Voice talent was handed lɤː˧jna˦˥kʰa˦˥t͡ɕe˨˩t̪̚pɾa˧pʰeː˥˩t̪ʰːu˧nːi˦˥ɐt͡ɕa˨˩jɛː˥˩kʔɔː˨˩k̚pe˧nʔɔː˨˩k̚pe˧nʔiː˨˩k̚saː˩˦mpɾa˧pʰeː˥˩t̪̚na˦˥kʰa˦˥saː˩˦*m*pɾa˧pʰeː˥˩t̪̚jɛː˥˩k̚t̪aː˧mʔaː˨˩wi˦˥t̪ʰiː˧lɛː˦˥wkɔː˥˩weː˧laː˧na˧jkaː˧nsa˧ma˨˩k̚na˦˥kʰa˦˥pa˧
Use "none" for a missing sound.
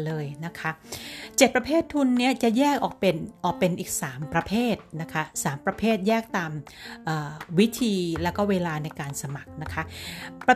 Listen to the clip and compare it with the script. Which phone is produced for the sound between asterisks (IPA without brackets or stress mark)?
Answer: m